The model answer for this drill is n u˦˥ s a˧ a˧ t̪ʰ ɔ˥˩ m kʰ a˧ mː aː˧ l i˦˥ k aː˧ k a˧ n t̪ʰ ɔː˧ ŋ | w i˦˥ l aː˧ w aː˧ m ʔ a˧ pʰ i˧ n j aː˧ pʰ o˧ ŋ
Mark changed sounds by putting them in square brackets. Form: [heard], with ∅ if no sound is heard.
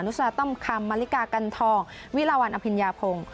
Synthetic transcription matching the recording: n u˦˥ s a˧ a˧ [t̪] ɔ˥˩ m kʰ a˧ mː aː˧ l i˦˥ k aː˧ k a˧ n t̪ʰ ɔː˧ ŋ | w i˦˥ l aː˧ w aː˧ [n] ʔ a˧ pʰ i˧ n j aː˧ pʰ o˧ ŋ